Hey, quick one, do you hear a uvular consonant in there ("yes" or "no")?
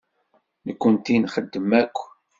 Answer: yes